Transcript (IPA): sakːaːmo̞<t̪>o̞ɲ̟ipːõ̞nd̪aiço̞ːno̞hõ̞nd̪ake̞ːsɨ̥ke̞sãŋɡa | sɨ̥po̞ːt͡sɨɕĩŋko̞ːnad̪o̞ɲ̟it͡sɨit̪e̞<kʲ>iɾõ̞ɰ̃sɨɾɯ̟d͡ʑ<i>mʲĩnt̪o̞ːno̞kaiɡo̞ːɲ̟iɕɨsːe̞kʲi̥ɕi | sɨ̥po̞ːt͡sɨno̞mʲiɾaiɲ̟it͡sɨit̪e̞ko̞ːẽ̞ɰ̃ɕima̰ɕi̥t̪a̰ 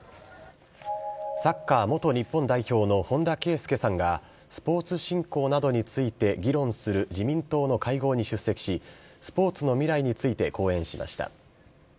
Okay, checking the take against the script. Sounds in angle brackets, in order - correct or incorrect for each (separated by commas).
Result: correct, incorrect, correct